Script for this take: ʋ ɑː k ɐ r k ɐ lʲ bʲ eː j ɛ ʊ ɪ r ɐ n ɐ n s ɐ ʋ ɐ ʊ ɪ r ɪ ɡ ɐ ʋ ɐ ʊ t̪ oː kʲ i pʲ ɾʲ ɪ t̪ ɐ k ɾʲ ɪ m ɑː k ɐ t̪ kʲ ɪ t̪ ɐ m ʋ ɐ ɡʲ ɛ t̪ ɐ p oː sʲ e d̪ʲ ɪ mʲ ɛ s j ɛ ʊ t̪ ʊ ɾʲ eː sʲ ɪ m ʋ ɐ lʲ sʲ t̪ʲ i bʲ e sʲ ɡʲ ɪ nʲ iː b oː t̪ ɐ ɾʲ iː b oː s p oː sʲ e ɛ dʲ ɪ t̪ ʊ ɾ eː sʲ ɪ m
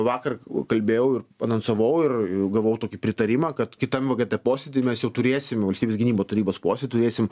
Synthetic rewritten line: ʋ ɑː k ɐ r k ɐ lʲ bʲ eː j ɛ ʊ ɪ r ɐ n ɐ n s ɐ ʋ ɐ ʊ ɪ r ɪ ɡ ɐ ʋ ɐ ʊ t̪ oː kʲ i pʲ ɾʲ ɪ t̪ ɐ ɾʲ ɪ m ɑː k ɐ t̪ kʲ ɪ t̪ ɐ m ʋ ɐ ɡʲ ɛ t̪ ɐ p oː sʲ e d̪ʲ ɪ mʲ ɛ s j ɛ ʊ t̪ ʊ ɾʲ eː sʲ ɪ m ʋ ɐ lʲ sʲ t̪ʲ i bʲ e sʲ ɡʲ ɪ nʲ iː b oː t̪ ɐ ɾʲ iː b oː s p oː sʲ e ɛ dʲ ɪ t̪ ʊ ɾ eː sʲ ɪ m